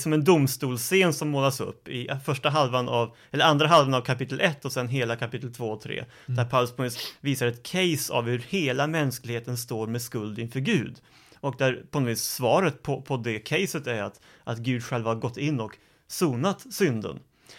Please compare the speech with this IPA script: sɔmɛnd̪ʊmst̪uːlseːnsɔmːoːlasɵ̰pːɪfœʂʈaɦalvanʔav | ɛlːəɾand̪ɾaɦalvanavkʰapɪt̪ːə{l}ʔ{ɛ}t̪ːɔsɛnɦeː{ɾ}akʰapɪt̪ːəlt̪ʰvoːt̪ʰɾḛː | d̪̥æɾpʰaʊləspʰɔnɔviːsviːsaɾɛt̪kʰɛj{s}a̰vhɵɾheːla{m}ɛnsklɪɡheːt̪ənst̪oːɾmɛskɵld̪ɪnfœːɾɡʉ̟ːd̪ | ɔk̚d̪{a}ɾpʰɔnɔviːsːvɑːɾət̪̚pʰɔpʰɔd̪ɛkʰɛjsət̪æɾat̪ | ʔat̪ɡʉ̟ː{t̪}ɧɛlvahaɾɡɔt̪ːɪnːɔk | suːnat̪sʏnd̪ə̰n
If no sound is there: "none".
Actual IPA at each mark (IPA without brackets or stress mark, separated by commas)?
l, ɛ, l, s, m, æ, d̪